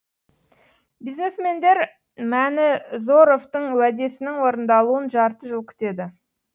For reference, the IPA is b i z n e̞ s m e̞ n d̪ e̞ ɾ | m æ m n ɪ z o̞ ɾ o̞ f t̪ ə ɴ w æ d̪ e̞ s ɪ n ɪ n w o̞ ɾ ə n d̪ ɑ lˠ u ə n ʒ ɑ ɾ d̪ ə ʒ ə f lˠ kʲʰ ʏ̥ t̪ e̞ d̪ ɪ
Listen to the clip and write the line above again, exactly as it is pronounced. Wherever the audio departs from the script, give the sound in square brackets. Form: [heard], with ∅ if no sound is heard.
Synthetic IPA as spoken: b i z n e̞ s m e̞ n d̪ e̞ ɾ | m æ [∅] n ɪ z o̞ ɾ o̞ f t̪ ə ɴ w æ d̪ e̞ s ɪ n ɪ [ŋ] w o̞ ɾ ə n d̪ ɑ lˠ u ə n ʒ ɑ ɾ [t̪] ə ʒ ə [∅] lˠ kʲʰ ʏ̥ t̪ e̞ d̪ ɪ